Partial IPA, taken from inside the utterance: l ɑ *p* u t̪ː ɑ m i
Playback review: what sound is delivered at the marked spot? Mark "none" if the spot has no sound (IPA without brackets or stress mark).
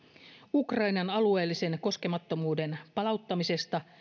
none